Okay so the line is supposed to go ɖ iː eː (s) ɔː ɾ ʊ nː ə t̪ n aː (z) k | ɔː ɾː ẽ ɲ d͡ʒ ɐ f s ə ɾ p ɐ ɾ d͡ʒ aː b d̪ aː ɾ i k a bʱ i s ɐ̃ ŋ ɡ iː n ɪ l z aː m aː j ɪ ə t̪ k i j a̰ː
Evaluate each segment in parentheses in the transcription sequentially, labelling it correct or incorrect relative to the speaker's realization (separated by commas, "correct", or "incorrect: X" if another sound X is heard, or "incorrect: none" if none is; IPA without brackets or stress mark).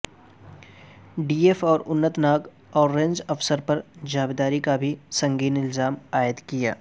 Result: incorrect: f, incorrect: none